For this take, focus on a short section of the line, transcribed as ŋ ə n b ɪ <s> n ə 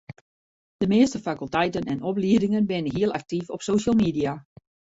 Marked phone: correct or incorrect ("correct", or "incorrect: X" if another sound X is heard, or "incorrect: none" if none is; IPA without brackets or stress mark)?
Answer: incorrect: none